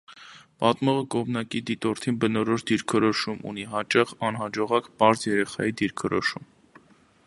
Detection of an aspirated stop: present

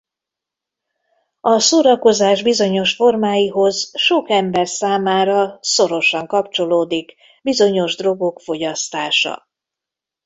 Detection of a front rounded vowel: absent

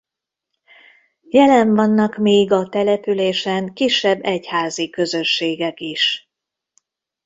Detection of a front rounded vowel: present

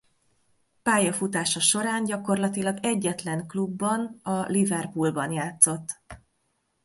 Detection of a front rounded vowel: absent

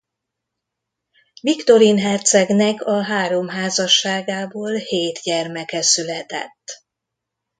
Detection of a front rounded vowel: present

